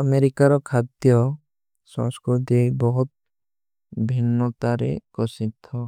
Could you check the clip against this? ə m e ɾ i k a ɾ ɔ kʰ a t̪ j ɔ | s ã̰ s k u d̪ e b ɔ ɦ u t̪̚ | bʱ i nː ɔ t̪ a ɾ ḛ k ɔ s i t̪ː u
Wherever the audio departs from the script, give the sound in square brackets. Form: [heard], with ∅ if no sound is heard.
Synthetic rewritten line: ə m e ɾ i k a ɾ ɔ kʰ a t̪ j ɔ | s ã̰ s k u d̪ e b ɔ ɦ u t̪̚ | bʱ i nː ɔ t̪ a ɾ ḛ k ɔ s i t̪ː [ɔ]